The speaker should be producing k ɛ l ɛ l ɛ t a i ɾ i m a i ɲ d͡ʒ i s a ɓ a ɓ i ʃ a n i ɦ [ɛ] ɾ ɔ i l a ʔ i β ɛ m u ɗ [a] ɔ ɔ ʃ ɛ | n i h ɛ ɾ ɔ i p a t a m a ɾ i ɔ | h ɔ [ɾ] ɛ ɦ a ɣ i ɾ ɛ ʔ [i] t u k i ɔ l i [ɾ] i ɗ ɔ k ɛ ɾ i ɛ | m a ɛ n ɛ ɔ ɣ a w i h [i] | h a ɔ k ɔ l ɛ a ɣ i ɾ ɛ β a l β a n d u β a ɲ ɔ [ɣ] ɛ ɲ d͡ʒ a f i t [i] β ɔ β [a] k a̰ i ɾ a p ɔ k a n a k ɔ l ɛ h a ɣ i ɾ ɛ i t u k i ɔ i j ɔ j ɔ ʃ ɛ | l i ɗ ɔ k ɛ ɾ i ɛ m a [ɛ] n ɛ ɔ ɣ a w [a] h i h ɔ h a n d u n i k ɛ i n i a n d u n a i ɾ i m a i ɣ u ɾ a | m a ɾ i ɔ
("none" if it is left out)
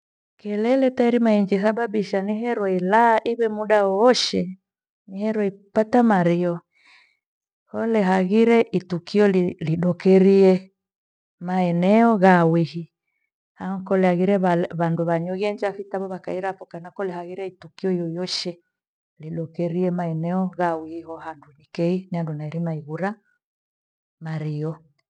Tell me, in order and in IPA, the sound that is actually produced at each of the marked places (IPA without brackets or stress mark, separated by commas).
ɛ, a, l, i, l, i, ɣ, a, a, ɛ, i